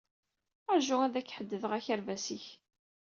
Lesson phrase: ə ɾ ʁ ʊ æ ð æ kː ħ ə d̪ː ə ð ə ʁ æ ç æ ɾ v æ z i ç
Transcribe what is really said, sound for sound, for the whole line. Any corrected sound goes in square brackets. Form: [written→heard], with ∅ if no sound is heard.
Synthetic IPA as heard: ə ɾ [ʁ→ʒ] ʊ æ ð æ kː ħ ə d̪ː ə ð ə ʁ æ ç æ ɾ v æ [z→s] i ç